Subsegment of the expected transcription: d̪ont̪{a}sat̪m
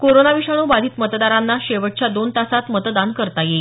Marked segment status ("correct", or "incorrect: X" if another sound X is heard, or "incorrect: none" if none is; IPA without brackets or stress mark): correct